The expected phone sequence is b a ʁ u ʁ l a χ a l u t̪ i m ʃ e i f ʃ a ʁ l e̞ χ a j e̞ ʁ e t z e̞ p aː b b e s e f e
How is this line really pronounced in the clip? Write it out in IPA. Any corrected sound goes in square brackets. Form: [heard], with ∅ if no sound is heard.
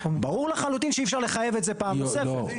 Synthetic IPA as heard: b a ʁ u ʁ l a χ a l u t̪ i [n] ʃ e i f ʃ a ʁ l e̞ χ a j e̞ [v] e t z e̞ p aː [m] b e s e f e